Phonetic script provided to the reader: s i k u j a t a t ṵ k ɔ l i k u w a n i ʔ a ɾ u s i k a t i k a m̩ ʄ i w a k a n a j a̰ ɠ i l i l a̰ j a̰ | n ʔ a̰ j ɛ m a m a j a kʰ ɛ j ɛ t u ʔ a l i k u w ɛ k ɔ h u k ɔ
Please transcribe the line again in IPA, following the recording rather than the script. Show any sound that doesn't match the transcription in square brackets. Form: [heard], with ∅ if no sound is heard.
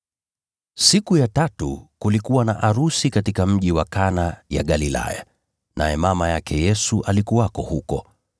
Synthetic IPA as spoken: s i k u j a t a t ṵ k [u] l i k u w a n [a] ʔ a ɾ u s i k a t i k a m̩ ʄ i w a k a n a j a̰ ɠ [a] l i l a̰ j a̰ | n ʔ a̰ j ɛ m a m a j a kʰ ɛ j ɛ [s] u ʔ a l i k u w [a] k ɔ h u k ɔ

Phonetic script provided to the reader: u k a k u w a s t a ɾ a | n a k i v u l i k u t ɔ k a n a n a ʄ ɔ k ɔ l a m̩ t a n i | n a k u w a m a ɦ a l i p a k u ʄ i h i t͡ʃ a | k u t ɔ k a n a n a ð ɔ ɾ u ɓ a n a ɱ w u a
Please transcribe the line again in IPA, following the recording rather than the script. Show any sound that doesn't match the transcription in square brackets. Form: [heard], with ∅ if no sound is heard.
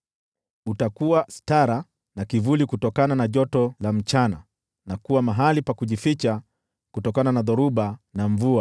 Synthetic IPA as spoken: u [t] a k u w a s t a ɾ a | n a k i v u l i k u t ɔ k a n a n a ʄ ɔ [t] ɔ l a m̩ [t͡ʃ] a n [a] | n a k u w a m a ɦ a l i p a k u ʄ i [f] i t͡ʃ a | k u t ɔ k a n a n a ð ɔ ɾ u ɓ a n a ɱ [v] u a

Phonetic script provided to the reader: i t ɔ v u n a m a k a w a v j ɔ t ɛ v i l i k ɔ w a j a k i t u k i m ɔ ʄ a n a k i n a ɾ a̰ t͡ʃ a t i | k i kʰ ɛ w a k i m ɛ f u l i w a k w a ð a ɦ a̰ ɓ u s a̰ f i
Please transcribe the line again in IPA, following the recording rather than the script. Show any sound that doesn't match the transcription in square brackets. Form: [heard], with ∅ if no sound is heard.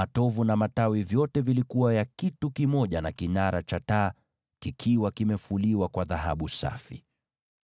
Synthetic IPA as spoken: [a] t ɔ v u n a m a [t] a w [i] v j ɔ t ɛ v i l i k [u] w a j a k i t u k i m ɔ ʄ a n a k i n a ɾ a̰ t͡ʃ a t [a] | k i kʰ [i] w a k i m ɛ f u l i w a k w a ð a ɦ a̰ ɓ u s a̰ f i

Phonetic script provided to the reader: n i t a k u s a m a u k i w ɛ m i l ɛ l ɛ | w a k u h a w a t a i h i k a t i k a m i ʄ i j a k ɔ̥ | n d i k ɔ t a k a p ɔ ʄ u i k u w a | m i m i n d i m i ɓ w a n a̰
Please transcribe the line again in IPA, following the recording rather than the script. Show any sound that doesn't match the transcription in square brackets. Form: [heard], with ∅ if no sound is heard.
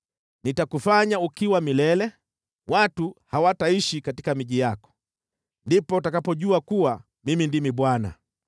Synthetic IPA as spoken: n i t a k u [f] a [ɲ] a u k i w [a] m i l ɛ l ɛ | w a [t] u h a w a t a i [ʃ] i k a t i k a m i ʄ i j a k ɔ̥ | n d i [p] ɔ t a k a p ɔ ʄ u [a] k u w a | m i m i n d i m i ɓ w a n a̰

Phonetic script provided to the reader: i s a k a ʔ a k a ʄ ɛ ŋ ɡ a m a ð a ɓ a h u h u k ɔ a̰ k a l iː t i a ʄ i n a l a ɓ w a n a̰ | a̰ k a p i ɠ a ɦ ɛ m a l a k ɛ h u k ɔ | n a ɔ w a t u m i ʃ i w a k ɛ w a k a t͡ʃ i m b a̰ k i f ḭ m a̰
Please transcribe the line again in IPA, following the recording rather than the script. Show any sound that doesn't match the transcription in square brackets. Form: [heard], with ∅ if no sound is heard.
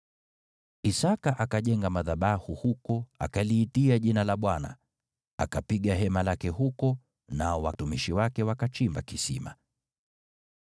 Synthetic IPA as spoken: i s a k a ʔ a k a ʄ ɛ ŋ ɡ a m a ð a ɓ a h u h u k ɔ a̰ k a l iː t i a ʄ i n a l a ɓ w a n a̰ | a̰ k a p i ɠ a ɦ ɛ m a l a k ɛ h u k ɔ | n a ɔ w a t u m i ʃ i w a k ɛ w a k a t͡ʃ i m b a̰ k i [s] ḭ m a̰

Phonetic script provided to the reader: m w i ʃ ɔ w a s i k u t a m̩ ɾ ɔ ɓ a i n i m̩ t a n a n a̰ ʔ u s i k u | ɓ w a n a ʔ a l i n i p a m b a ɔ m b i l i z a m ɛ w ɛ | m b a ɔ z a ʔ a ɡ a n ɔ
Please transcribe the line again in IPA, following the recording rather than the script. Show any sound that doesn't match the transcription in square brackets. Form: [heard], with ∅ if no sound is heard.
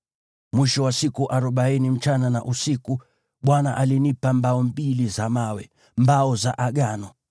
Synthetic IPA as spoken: m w i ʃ ɔ w a s i k u [ʔ] a [∅] ɾ ɔ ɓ a i n i m̩ [t͡ʃ] a n a n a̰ ʔ u s i k u | ɓ w a n a ʔ a l i n i p a m b a ɔ m b i l i z a m [a] w ɛ | m b a ɔ z a ʔ a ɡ a n ɔ

